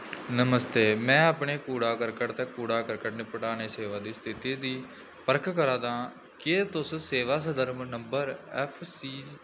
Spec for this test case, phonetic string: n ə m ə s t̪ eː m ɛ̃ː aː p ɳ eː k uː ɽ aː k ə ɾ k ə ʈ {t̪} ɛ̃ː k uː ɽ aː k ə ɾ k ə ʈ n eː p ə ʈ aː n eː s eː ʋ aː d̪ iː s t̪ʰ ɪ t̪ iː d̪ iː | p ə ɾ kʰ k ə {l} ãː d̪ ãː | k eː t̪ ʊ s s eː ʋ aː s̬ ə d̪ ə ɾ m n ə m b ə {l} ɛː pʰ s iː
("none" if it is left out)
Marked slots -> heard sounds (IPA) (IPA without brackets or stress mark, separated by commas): t̪, ɾ, ɾ